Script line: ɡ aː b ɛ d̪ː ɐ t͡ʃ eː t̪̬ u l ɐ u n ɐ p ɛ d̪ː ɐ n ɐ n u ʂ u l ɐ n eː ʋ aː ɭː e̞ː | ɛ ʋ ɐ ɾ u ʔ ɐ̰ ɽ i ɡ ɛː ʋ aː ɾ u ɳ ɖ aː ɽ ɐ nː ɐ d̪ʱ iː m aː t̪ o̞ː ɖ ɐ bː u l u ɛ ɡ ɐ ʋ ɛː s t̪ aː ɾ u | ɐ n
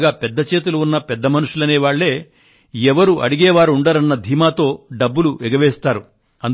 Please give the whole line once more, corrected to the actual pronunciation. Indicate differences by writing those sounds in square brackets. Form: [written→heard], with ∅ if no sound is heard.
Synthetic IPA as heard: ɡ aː [b→p] ɛ d̪ː ɐ t͡ʃ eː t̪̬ u l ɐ u [n→nː] ɐ p ɛ d̪ː ɐ [n→m] ɐ n u ʂ u l ɐ n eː ʋ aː ɭː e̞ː | ɛ ʋ ɐ ɾ u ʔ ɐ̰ ɽ i ɡ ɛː ʋ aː ɾ u ɳ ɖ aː [ɽ→ɾ] ɐ nː ɐ d̪ʱ iː m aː t̪ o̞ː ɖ ɐ bː u l u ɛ ɡ ɐ ʋ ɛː s t̪ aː ɾ u | ɐ n